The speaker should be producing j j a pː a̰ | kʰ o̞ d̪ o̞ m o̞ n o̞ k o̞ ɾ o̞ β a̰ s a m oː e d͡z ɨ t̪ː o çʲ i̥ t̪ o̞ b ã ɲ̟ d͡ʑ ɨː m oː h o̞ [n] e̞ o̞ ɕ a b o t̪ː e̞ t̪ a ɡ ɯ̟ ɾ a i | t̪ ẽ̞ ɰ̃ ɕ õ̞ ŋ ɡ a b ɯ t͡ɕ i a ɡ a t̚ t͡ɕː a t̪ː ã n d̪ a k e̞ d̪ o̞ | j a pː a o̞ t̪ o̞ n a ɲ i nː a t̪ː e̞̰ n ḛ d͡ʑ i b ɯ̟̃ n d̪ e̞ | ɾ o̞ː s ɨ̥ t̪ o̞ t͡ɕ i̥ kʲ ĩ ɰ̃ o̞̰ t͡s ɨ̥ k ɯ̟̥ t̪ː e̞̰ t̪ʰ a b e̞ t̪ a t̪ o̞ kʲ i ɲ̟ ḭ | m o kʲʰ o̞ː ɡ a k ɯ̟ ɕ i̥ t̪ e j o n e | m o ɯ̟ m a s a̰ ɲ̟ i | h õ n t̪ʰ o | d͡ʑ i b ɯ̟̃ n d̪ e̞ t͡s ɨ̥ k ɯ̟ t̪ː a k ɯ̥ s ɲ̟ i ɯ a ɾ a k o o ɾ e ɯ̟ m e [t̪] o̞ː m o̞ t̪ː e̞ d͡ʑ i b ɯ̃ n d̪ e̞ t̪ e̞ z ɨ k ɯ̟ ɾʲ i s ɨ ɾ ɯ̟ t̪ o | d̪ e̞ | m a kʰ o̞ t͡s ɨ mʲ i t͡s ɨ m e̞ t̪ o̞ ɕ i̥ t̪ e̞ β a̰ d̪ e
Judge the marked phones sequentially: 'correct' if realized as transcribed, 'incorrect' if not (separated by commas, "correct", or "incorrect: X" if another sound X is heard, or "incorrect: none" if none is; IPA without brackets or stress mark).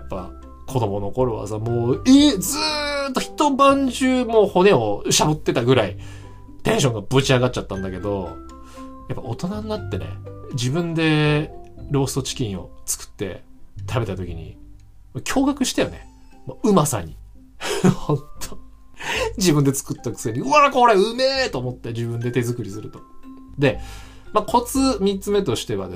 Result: correct, correct